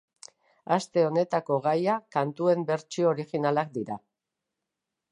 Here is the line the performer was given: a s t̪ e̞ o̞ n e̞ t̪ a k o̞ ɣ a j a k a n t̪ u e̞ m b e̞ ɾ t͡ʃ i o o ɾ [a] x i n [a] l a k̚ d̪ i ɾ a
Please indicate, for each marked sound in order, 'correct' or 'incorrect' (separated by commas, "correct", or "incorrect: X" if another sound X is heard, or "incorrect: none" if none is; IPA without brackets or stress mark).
incorrect: i, correct